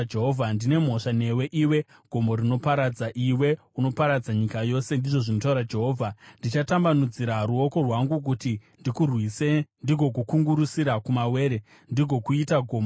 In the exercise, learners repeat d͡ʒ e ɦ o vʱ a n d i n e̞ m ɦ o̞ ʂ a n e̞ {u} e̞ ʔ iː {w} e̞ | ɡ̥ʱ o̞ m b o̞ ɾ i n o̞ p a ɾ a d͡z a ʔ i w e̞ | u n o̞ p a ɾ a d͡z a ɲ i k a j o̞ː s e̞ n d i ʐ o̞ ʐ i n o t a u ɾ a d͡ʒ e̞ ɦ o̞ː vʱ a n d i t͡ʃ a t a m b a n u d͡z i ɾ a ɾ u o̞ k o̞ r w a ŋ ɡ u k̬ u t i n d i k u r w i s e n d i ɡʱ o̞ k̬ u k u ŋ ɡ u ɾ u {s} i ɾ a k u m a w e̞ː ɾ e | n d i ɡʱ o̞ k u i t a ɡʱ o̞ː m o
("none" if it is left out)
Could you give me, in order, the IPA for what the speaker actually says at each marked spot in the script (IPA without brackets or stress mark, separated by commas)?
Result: w, w, s